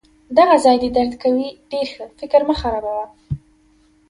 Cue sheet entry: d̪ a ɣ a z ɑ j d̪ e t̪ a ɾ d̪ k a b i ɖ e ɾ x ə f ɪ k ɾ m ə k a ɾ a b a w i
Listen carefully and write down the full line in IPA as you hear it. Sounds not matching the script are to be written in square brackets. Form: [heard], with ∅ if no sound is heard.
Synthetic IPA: d̪ a ɣ a z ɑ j d̪ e [d̪] a ɾ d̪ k a [w] i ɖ e ɾ x ə f ɪ k ɾ m ə [x] a ɾ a b a w [a]